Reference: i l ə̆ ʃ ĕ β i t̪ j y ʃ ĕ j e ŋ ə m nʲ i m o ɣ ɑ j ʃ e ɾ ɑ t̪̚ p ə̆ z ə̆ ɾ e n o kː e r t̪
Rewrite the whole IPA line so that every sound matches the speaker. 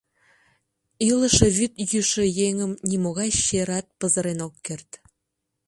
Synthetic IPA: i l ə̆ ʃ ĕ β y t̪ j y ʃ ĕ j e ŋ ə m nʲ i m o ɣ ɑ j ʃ e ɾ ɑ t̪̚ p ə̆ z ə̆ ɾ e n o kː e r t̪